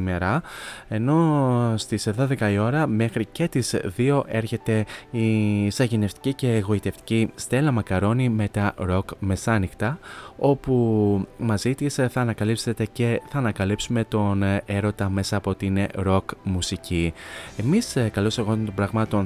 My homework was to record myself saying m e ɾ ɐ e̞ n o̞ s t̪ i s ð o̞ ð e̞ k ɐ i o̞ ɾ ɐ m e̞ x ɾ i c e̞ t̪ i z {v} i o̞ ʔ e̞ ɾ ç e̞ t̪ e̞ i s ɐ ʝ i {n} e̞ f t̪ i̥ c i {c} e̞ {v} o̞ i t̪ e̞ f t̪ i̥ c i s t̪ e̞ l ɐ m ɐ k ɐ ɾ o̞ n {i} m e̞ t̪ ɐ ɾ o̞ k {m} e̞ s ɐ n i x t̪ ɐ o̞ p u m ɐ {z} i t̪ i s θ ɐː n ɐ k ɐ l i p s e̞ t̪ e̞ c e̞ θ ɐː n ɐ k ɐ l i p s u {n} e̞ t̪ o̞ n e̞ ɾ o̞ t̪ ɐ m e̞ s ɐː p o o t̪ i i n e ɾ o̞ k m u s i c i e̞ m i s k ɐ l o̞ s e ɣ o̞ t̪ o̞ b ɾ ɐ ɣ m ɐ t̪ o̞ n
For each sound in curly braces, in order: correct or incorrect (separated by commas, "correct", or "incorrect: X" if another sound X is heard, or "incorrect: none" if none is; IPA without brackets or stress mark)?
incorrect: ð, correct, correct, incorrect: ɣ, correct, correct, correct, incorrect: m